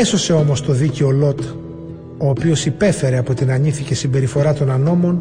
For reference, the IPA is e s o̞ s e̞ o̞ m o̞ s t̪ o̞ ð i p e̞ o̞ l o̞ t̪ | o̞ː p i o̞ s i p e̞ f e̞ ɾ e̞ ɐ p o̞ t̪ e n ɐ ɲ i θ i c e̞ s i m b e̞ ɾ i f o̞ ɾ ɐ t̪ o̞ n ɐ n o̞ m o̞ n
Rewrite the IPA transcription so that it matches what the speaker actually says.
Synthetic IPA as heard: e s o̞ s e̞ o̞ m o̞ s t̪ o̞ ð i c e̞ o̞ l o̞ t̪ | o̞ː p i o̞ s i p e̞ f e̞ ɾ e̞ ɐ p o̞ t̪ i n ɐ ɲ i θ i c e̞ s i m b e̞ ɾ i f o̞ ɾ ɐ t̪ o̞ n ɐ n o̞ m o̞ n